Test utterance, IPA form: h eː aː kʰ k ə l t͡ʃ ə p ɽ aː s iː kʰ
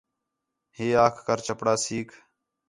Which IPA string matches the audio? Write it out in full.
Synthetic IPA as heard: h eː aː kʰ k ə ɾ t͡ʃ ə p ɽ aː s iː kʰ